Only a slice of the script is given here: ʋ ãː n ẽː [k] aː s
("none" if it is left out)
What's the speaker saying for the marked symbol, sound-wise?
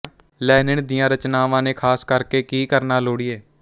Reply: kʰ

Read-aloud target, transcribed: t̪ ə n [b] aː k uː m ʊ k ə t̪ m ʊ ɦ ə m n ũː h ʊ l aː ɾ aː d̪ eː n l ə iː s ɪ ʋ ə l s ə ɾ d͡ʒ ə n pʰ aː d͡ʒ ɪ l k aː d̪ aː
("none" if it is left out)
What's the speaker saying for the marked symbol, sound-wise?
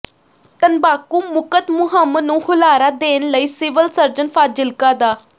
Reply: b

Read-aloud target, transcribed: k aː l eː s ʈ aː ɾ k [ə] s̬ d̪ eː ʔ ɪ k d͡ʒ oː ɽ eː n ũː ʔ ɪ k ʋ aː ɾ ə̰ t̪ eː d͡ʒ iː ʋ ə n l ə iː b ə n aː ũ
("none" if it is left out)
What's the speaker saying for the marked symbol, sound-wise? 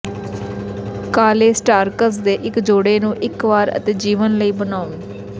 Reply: ə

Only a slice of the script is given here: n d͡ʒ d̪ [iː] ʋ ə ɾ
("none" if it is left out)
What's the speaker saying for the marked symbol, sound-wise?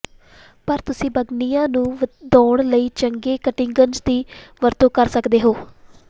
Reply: iː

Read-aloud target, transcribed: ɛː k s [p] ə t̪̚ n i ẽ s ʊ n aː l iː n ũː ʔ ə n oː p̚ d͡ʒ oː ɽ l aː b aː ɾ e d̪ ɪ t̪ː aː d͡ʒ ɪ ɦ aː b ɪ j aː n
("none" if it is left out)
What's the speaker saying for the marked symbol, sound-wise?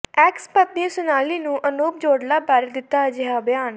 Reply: p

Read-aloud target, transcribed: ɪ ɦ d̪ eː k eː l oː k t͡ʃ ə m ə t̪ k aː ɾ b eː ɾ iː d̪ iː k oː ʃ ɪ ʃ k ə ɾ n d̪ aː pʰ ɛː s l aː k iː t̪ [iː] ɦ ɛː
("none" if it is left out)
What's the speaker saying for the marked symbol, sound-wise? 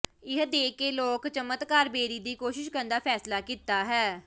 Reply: aː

